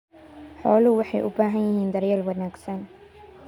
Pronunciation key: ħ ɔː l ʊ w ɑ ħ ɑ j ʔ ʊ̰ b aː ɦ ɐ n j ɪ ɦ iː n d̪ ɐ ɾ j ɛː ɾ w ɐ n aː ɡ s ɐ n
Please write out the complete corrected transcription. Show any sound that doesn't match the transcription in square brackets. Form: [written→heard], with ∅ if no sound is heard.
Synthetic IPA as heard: ħ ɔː l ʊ w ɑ ħ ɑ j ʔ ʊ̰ b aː ɦ ɐ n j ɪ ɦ iː n d̪ ɐ ɾ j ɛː [ɾ→l] w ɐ n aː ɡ s ɐ n